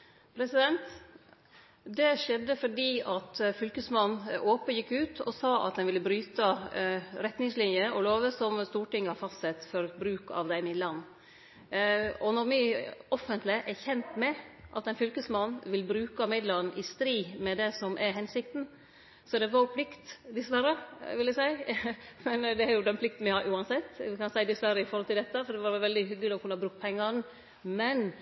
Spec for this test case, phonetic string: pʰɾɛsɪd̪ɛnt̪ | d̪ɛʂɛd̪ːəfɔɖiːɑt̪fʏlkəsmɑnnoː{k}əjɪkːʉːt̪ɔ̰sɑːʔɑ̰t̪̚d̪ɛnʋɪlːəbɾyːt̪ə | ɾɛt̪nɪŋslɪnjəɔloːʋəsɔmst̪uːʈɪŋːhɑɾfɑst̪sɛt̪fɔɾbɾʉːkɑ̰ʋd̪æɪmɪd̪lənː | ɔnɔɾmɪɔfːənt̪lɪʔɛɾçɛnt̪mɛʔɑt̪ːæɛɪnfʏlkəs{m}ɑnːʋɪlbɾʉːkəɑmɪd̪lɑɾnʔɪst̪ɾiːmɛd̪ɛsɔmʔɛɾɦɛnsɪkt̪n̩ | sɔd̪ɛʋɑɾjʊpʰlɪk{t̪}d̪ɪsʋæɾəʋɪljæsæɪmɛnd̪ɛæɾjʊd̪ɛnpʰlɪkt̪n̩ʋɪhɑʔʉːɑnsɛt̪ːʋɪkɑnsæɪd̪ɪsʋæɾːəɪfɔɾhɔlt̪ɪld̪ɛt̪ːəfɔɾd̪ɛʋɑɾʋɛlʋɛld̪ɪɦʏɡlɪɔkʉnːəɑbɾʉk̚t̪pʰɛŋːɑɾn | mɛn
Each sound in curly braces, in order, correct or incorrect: incorrect, correct, correct

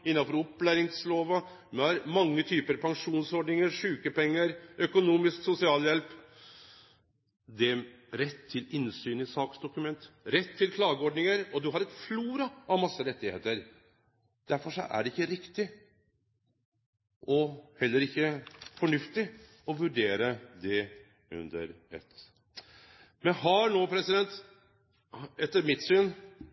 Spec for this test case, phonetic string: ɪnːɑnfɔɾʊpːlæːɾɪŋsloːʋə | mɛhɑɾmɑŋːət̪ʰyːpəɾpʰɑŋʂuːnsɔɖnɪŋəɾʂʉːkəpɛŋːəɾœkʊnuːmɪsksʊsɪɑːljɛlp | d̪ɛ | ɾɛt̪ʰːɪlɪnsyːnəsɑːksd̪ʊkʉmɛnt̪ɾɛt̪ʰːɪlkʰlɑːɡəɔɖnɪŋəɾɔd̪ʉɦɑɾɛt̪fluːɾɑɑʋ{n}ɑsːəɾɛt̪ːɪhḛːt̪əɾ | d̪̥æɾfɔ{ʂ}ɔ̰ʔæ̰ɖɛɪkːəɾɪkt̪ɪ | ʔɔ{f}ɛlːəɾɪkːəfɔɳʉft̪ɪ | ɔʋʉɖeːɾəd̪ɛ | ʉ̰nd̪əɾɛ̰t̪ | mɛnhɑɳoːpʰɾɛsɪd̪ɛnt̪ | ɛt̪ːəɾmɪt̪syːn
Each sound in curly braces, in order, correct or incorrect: incorrect, correct, incorrect

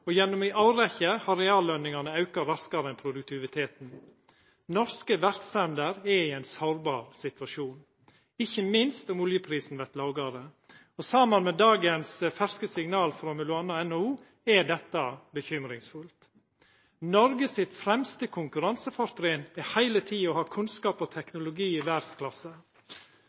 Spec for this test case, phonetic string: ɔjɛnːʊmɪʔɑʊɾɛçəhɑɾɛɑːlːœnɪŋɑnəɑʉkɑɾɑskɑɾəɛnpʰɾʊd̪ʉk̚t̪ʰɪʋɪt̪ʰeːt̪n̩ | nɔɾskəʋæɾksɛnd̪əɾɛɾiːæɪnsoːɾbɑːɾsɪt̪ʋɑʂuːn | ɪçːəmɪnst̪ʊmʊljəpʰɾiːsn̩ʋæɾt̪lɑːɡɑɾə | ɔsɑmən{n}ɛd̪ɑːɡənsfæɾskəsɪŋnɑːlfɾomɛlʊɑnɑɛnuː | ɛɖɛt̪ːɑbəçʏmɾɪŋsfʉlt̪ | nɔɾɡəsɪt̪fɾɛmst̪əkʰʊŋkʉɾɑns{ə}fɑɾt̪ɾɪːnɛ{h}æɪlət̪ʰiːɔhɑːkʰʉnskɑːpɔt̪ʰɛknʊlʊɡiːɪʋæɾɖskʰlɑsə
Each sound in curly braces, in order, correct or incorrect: incorrect, correct, correct

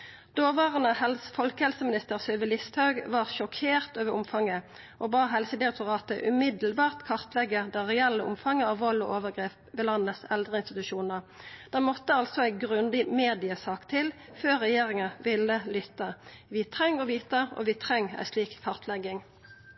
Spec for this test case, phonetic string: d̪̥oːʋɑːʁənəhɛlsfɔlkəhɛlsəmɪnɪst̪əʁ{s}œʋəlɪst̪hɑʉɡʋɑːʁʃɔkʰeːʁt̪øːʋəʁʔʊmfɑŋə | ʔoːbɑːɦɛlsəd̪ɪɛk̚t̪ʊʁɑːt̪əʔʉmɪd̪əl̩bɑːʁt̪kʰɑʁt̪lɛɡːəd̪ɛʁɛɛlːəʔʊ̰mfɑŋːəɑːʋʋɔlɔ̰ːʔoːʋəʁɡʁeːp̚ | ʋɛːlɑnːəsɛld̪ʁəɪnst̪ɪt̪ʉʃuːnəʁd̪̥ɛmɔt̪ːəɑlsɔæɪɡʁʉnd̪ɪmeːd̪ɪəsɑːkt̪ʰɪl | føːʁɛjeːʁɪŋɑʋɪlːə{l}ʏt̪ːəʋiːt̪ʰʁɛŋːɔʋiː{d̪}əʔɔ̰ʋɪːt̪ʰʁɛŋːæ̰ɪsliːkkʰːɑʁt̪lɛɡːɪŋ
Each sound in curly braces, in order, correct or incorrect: correct, correct, incorrect

